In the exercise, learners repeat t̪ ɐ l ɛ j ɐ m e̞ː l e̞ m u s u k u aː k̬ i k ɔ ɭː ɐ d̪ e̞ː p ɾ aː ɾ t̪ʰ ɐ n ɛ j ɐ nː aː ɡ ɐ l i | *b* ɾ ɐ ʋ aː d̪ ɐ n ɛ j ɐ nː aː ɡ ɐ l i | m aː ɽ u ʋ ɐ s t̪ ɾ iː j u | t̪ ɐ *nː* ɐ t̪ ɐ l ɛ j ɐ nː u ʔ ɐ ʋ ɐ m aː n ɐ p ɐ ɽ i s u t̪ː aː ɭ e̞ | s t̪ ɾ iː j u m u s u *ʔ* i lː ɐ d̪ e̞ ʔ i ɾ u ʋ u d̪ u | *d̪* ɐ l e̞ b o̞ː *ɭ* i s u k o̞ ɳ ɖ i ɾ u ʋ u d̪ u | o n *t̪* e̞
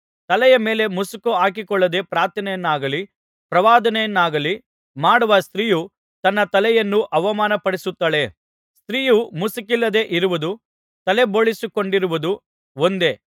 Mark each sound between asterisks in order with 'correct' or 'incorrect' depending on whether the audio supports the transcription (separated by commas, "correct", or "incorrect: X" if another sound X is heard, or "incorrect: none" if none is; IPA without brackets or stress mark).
incorrect: p, correct, incorrect: k, incorrect: t̪, correct, incorrect: d̪